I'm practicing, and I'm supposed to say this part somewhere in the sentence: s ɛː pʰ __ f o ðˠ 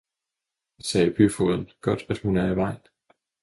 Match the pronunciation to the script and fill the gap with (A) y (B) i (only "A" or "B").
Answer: A